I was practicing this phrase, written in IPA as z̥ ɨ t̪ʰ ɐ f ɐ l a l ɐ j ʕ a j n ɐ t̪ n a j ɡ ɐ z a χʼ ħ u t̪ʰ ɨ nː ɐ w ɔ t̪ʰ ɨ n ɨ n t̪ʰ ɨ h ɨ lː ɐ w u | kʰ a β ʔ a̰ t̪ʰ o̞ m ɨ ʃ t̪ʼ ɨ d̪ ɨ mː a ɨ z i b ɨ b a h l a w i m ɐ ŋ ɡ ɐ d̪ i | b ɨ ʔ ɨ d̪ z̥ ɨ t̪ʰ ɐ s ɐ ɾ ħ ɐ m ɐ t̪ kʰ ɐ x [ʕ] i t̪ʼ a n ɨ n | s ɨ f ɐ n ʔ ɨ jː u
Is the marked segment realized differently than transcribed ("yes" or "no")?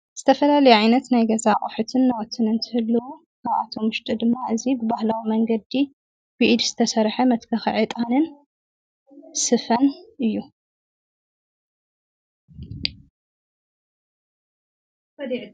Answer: no